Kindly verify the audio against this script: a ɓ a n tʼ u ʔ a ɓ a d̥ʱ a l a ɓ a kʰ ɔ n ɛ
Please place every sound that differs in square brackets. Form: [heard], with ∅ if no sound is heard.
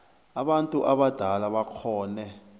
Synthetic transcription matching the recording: a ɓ a n tʼ u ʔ a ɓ a d̥ʱ a l a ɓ a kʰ [ɔː] n ɛ